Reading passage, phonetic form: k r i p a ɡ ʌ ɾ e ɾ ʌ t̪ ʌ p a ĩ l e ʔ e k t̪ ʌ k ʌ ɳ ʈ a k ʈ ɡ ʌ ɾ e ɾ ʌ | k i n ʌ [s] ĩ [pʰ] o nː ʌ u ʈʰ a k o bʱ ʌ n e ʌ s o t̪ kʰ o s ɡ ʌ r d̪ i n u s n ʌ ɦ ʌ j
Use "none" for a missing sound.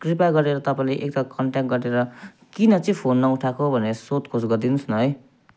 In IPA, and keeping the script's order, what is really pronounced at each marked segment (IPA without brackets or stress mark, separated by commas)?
t͡s, pʰ